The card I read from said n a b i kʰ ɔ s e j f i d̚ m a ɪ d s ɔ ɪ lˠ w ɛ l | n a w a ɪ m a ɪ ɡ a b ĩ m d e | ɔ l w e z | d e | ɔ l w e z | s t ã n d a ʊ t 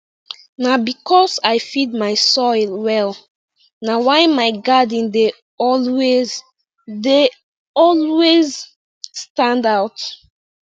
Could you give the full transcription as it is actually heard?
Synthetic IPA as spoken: n a b i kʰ ɔ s a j f i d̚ m a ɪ s ɔ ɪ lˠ w ɛ l | n a w a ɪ m a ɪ ɡ a d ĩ n d e | ɔ l w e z | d e | ɔ l w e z | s t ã n d a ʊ t